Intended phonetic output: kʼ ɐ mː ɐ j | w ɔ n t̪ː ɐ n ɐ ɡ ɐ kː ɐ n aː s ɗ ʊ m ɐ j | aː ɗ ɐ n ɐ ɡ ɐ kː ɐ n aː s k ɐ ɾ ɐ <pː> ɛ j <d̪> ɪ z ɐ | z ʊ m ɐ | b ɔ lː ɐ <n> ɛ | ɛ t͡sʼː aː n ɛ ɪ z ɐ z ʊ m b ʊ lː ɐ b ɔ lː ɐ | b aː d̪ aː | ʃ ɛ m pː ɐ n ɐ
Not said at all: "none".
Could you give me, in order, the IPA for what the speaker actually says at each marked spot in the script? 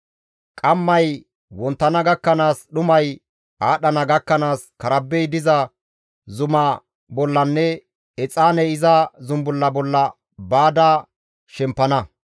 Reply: bː, d̪, nː

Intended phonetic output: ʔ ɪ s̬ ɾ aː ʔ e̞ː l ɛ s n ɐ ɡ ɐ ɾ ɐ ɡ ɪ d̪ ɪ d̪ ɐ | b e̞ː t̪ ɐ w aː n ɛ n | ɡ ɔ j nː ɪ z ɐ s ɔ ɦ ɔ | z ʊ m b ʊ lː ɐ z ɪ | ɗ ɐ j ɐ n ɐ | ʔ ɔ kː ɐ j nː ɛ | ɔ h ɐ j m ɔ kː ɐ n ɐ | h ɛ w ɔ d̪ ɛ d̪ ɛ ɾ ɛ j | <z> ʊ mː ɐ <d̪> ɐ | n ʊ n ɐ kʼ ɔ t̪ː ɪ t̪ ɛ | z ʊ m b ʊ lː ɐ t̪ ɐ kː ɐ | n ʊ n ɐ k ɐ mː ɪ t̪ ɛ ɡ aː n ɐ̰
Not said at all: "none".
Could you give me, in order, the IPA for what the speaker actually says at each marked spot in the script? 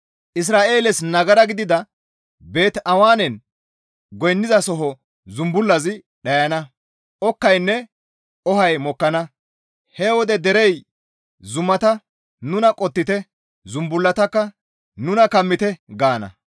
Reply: z, t̪

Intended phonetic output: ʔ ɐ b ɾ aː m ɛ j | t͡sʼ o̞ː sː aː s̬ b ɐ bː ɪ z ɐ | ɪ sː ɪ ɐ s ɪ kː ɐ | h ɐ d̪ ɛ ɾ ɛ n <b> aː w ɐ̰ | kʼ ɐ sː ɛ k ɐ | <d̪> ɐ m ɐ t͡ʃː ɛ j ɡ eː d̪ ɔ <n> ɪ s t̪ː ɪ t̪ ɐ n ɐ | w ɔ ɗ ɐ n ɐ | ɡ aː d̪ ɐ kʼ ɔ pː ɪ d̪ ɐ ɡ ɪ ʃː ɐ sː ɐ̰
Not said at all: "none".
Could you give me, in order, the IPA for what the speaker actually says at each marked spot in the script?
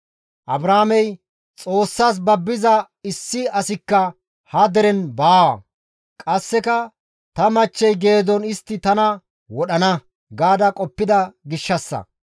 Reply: b, t̪, n

